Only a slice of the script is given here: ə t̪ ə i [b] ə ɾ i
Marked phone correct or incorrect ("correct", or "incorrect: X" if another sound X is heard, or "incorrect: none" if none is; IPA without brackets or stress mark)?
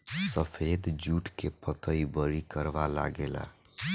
correct